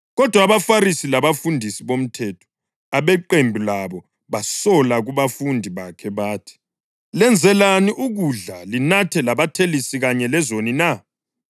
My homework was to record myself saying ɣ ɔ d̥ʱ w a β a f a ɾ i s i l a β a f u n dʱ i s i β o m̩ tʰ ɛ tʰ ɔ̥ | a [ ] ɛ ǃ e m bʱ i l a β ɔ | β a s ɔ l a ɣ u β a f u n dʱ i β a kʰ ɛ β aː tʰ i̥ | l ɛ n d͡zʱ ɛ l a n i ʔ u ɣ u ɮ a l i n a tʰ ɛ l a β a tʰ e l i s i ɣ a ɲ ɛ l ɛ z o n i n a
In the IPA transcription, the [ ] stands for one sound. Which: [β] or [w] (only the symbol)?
β